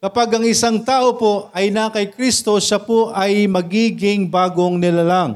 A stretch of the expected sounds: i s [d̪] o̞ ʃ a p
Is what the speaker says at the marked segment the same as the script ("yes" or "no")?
no